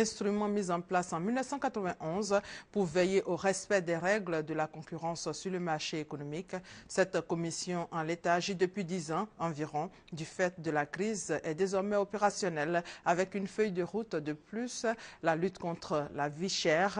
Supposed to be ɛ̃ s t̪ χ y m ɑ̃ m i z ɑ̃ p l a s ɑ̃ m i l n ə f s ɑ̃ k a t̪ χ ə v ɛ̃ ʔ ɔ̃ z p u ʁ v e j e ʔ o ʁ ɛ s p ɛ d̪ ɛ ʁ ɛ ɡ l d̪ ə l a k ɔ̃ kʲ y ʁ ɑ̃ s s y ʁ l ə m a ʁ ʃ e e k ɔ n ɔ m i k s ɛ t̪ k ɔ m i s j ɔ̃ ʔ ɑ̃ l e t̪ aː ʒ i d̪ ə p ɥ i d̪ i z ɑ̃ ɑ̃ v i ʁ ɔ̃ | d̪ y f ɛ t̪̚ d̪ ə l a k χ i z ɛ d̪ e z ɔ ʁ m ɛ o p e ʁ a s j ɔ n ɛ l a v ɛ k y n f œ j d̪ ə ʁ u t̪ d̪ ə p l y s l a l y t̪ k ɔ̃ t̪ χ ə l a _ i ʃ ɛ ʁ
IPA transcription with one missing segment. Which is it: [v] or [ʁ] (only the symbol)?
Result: v